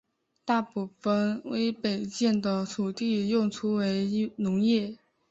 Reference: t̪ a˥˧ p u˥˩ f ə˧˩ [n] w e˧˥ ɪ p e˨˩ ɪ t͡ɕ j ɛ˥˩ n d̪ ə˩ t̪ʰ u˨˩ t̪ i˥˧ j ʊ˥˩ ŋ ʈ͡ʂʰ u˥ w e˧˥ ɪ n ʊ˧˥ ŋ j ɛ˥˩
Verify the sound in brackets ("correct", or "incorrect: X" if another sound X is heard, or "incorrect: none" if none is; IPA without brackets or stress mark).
correct